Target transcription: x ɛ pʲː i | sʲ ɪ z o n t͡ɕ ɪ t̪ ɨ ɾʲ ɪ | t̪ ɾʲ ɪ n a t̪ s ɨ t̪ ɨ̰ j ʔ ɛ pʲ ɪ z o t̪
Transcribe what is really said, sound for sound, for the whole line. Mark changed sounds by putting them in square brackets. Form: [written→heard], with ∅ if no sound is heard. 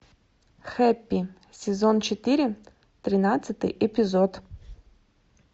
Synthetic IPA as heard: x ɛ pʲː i | sʲ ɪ z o n t͡ɕ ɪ t̪ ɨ ɾʲ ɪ | t̪ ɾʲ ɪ n a t̪ s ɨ t̪ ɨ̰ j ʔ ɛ pʲ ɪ z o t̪